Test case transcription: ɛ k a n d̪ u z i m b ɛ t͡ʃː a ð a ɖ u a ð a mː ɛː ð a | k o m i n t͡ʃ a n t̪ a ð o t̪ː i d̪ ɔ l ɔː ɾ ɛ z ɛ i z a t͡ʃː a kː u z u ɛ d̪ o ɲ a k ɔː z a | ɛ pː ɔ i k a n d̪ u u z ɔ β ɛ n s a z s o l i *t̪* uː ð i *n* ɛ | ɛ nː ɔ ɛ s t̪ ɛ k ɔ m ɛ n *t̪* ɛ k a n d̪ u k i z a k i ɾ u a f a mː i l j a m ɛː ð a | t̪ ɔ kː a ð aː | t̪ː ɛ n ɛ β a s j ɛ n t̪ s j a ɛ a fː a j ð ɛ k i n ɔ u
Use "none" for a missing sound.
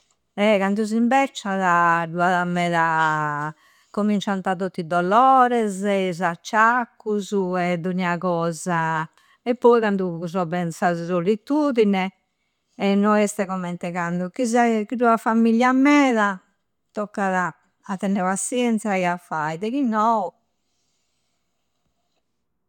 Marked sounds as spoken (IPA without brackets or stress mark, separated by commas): t̪, n, t̪